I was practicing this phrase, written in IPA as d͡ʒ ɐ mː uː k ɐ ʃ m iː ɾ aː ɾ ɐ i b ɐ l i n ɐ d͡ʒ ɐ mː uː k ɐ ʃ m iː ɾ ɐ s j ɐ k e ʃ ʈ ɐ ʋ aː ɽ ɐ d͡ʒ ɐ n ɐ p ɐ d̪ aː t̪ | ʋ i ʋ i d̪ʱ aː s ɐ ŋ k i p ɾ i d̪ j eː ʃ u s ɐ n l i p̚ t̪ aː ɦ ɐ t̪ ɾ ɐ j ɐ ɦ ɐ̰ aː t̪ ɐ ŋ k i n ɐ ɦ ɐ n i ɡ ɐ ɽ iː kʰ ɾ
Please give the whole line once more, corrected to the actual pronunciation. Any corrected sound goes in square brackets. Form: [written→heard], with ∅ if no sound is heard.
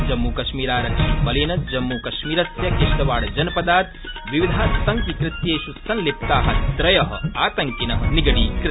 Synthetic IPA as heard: d͡ʒ ɐ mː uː k ɐ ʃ m iː ɾ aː ɾ ɐ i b ɐ l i n ɐ d͡ʒ ɐ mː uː k ɐ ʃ m iː ɾ ɐ s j ɐ k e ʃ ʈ ɐ ʋ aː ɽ ɐ d͡ʒ ɐ n ɐ p ɐ d̪ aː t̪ | ʋ i ʋ i d̪ʱ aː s ɐ ŋ k i [p→k] ɾ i [d̪→t̪] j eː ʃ u s ɐ n l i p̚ t̪ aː ɦ ɐ t̪ ɾ ɐ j ɐ ɦ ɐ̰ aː t̪ ɐ ŋ k i n ɐ ɦ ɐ n i ɡ ɐ ɽ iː [kʰ→k] ɾ